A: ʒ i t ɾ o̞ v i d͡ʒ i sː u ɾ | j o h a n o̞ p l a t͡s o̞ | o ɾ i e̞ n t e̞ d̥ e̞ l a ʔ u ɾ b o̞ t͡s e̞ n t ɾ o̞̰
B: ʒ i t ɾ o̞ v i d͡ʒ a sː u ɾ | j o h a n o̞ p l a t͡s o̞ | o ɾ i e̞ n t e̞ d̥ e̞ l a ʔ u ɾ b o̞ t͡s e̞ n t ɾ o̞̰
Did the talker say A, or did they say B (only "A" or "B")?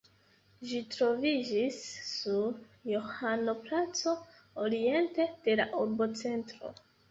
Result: A